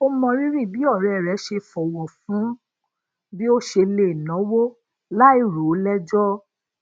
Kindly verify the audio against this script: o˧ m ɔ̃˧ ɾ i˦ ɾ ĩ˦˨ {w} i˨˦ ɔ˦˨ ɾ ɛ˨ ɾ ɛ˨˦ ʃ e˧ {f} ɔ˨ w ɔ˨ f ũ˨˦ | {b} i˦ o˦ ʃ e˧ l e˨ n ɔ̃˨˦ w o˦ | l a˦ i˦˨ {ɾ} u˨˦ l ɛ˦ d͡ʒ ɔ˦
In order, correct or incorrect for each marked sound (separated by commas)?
incorrect, correct, correct, correct